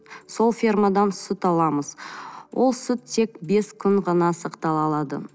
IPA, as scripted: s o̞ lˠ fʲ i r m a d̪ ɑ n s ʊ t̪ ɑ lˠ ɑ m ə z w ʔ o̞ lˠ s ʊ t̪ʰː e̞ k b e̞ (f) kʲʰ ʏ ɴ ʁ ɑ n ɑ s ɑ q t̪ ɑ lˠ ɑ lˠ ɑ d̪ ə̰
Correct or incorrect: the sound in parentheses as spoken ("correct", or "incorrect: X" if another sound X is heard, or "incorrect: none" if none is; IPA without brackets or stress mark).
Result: incorrect: s